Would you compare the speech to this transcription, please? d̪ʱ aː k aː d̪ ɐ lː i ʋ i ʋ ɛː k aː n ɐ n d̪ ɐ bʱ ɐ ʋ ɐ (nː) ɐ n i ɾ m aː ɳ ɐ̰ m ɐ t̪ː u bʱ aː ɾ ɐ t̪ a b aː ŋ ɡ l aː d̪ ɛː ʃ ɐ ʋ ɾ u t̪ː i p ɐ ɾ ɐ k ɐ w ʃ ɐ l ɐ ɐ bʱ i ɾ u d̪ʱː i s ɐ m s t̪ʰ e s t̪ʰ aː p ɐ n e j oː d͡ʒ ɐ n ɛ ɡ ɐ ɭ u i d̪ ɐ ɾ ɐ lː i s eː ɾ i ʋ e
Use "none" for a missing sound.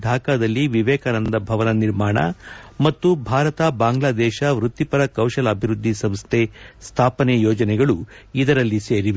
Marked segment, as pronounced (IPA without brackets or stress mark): n